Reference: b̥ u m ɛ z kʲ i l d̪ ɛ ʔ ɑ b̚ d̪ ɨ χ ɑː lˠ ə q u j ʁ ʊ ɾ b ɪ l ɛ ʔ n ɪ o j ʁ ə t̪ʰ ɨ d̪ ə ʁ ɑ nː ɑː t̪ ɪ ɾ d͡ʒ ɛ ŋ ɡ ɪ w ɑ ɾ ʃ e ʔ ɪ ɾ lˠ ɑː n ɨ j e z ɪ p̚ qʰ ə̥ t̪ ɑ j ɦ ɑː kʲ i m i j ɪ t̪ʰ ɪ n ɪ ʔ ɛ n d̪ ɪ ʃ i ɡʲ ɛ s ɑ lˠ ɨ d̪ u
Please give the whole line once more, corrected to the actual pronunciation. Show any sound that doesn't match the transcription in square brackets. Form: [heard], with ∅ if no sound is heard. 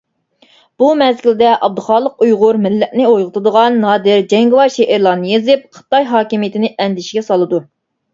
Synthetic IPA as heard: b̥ u m ɛ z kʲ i l d̪ ɛ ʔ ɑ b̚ d̪ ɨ χ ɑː lˠ ə q u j ʁ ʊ ɾ [m] ɪ [lː] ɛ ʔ n ɪ o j ʁ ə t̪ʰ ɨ d̪ ə ʁ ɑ nː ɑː [d̪] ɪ ɾ d͡ʒ ɛ ŋ ɡ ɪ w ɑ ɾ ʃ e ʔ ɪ ɾ lˠ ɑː n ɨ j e z ɪ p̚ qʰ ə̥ t̪ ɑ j ɦ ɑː kʲ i m i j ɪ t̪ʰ ɪ n ɪ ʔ ɛ n d̪ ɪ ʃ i ɡʲ ɛ s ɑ lˠ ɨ d̪ u